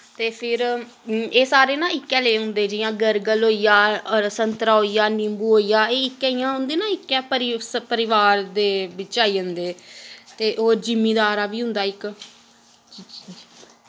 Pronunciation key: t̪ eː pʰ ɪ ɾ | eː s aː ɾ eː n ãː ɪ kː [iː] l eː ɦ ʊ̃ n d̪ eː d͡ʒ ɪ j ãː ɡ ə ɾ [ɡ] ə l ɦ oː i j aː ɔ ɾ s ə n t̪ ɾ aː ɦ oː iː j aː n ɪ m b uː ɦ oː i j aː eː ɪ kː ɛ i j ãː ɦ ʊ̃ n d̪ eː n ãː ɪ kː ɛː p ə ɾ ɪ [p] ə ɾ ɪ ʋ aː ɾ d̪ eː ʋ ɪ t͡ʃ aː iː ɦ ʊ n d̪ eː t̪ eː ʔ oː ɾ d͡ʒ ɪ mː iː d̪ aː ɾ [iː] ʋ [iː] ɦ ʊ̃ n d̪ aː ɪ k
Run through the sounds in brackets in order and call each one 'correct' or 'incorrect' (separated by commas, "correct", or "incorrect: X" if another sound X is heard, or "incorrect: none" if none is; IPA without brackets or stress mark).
incorrect: ɛː, correct, correct, incorrect: aː, correct